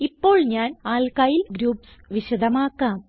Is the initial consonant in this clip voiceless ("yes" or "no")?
yes